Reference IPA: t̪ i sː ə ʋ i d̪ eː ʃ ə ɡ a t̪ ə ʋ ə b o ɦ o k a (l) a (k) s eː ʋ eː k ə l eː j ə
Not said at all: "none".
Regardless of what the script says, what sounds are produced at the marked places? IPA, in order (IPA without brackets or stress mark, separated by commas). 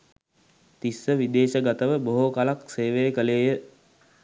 l, k